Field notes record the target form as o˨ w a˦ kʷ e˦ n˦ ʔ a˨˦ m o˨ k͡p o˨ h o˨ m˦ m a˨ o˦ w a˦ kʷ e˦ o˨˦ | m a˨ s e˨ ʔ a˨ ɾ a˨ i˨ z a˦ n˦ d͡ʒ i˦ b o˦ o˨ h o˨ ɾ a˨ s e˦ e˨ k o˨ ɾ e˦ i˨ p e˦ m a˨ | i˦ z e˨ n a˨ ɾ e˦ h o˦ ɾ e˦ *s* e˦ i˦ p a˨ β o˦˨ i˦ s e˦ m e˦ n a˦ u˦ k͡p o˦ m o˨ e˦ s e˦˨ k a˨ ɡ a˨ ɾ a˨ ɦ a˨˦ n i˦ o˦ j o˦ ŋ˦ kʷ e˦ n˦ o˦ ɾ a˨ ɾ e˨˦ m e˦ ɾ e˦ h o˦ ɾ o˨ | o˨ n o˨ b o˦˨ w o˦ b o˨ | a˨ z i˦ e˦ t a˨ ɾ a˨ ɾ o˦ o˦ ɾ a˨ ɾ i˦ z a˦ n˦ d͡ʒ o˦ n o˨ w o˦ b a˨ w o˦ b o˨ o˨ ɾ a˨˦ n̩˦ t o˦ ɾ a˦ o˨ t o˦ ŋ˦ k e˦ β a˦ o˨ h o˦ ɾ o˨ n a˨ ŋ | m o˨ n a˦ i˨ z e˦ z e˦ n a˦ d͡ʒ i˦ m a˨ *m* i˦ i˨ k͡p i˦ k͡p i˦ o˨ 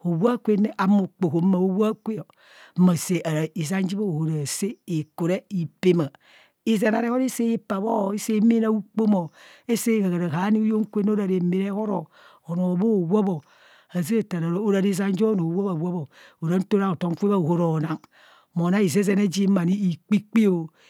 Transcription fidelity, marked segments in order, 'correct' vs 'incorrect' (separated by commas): correct, incorrect